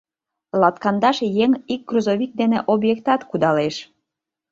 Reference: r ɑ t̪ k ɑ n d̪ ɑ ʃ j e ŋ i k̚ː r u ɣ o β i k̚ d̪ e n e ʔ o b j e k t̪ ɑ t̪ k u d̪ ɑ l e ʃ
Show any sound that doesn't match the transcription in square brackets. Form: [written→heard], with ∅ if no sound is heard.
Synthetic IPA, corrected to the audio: [r→l] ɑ t̪ k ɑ n d̪ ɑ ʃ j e ŋ i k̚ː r u [ɣ→z] o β i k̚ d̪ e n e ʔ o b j e k t̪ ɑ t̪ k u d̪ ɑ l e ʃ